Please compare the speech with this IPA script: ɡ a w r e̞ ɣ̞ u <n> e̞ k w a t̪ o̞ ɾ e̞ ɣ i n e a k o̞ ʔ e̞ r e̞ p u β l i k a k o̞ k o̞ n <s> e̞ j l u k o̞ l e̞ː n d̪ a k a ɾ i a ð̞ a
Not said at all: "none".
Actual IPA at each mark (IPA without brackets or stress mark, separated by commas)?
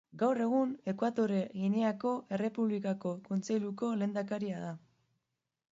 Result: n, t͡s